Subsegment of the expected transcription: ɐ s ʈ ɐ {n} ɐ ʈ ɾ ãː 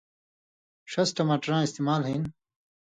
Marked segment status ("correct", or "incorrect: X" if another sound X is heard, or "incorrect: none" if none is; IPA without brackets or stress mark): incorrect: m